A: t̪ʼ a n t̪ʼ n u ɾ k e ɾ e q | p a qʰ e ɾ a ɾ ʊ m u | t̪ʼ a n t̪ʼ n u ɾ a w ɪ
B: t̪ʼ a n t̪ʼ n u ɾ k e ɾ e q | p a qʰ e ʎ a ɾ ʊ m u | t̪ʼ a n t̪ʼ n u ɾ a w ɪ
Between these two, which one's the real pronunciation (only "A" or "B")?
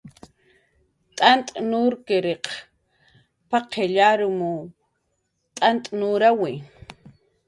B